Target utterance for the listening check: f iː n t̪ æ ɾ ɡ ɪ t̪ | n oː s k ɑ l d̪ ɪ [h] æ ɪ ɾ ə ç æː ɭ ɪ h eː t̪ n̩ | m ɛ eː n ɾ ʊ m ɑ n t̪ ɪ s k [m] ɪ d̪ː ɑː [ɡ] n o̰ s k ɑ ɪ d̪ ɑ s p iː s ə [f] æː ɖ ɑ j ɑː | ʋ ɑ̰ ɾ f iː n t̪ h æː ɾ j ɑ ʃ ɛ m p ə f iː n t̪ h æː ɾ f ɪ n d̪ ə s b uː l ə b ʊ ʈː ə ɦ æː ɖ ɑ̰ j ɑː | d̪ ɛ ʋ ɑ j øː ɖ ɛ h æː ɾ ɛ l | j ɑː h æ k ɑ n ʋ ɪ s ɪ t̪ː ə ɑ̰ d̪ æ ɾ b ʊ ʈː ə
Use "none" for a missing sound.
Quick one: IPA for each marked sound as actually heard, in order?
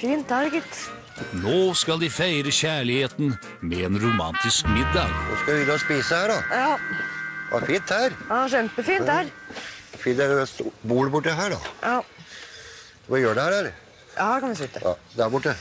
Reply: f, m, ɡ, h

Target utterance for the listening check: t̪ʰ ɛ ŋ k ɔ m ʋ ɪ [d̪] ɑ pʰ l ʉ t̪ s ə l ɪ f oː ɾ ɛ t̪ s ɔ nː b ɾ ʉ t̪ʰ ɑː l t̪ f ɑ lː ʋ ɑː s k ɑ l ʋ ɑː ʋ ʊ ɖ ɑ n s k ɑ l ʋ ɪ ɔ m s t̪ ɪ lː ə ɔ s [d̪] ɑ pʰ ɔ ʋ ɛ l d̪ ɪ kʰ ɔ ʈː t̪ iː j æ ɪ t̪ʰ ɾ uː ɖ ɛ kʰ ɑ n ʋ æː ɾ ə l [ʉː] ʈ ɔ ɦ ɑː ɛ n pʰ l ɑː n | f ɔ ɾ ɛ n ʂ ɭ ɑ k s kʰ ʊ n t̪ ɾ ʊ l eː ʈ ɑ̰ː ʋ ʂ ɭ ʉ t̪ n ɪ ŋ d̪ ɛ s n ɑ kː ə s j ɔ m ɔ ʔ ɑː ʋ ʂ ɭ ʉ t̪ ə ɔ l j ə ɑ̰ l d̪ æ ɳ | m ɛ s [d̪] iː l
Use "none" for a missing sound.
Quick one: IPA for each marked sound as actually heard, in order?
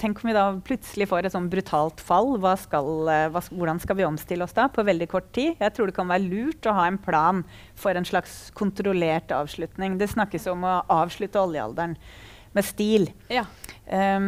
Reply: d̪, d̪, ʉː, t̪

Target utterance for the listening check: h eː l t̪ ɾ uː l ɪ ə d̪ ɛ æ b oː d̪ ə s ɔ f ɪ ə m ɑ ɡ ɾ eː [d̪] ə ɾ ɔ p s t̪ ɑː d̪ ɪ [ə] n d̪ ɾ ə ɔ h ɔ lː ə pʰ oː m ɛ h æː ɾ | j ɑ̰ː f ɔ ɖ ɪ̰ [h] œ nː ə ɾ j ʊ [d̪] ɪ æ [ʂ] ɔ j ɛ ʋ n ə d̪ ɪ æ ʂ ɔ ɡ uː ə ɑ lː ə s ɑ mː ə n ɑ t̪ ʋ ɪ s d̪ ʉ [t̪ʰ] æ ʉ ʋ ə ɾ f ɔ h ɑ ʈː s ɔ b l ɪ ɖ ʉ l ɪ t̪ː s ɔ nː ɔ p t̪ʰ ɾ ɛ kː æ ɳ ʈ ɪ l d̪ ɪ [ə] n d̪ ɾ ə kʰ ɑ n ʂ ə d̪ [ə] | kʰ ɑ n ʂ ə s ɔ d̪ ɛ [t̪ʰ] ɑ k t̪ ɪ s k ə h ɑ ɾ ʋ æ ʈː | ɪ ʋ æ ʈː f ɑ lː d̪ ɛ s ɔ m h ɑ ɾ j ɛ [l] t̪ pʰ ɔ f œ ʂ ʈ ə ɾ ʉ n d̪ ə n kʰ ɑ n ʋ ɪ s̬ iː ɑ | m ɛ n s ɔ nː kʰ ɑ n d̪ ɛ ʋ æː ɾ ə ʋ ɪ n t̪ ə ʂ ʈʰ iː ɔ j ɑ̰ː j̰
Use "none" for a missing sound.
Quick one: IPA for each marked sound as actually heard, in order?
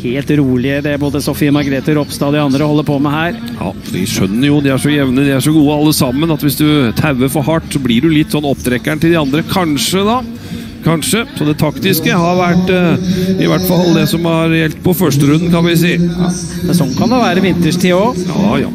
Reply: t̪, ɑ, ʂ, d̪, ʂ, t̪ʰ, ɑ, ɑ, t̪ʰ, l

